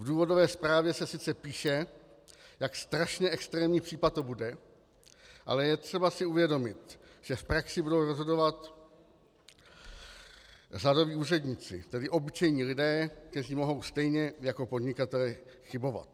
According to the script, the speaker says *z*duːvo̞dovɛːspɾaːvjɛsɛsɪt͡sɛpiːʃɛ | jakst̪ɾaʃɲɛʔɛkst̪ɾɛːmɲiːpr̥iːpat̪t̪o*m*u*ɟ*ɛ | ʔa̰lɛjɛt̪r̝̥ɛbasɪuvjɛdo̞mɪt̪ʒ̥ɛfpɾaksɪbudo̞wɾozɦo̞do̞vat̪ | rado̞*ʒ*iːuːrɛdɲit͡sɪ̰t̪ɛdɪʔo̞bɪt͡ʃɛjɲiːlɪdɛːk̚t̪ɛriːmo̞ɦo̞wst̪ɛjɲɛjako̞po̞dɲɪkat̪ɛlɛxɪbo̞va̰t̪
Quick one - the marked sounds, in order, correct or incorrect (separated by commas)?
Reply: incorrect, incorrect, incorrect, incorrect